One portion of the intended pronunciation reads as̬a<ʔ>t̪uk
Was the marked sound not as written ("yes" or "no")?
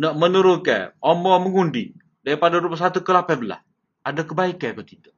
yes